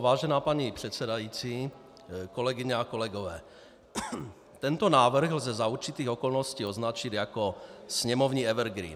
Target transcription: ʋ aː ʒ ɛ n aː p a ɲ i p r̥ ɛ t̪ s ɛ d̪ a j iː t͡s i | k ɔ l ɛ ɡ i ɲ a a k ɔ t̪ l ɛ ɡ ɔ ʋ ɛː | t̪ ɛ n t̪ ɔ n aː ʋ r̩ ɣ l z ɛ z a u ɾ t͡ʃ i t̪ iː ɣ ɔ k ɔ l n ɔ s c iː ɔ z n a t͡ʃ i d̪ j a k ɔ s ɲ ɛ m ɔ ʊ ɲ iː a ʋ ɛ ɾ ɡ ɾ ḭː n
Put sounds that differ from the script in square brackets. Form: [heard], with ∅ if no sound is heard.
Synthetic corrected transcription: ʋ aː ʒ ɛ n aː p a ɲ i p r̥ ɛ t̪ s ɛ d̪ a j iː t͡s i | k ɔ l ɛ ɡ i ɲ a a k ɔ [∅] l ɛ ɡ ɔ ʋ ɛː | t̪ ɛ n t̪ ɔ n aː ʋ r̩ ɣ l z ɛ z a u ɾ t͡ʃ i t̪ iː ɣ ɔ k ɔ l n ɔ s c iː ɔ z n a t͡ʃ i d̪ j a k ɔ s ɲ ɛ m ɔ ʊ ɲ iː [ɛ] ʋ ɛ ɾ ɡ ɾ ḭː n